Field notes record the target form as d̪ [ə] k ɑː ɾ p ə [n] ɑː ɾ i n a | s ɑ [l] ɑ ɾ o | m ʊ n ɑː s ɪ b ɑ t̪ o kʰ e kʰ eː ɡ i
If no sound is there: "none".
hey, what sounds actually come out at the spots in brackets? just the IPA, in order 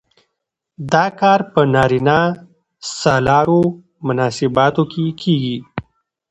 ɑ, n, l

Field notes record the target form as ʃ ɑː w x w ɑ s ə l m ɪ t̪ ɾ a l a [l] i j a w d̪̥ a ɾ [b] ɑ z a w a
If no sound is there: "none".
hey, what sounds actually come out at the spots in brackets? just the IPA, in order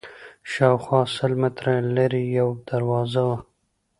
ɾ, w

